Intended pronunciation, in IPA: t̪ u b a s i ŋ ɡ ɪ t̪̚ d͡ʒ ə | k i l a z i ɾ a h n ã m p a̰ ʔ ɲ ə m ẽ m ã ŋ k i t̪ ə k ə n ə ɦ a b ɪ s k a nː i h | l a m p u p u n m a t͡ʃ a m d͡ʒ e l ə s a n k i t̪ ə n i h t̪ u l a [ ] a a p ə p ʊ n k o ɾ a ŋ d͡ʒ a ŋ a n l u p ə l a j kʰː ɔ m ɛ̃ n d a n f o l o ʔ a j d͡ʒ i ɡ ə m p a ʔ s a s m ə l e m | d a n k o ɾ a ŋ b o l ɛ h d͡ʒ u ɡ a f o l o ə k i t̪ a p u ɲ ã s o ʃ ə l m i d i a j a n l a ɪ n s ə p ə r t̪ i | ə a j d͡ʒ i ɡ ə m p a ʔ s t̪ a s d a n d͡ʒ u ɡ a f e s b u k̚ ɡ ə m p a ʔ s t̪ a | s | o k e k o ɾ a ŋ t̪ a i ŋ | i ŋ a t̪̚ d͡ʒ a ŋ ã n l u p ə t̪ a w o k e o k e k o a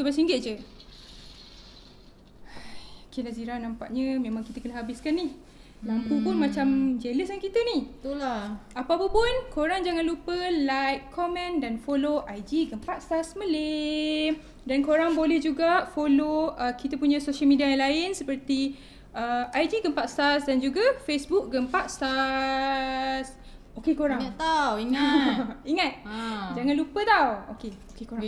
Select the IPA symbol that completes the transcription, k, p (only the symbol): p